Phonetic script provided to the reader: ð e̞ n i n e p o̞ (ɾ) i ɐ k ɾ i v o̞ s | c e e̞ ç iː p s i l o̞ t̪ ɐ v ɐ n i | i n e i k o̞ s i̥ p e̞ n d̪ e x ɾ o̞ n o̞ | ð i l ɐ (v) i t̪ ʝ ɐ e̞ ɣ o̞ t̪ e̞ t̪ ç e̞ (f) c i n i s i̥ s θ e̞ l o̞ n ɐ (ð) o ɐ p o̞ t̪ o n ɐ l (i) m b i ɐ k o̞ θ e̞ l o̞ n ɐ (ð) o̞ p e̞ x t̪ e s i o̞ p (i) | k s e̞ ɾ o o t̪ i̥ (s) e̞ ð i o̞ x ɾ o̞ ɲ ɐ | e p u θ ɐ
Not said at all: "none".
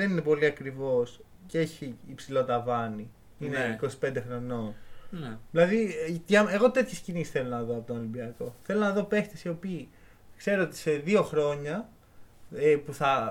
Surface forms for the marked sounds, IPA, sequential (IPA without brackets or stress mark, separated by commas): l, ð, s, ð, i, ð, iː, s